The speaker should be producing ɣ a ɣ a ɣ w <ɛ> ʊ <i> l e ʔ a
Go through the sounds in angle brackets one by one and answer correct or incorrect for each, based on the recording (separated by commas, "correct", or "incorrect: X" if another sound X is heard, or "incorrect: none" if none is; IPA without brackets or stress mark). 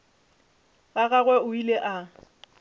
correct, correct